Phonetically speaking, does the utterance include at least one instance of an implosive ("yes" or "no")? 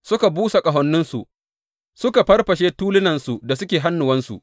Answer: no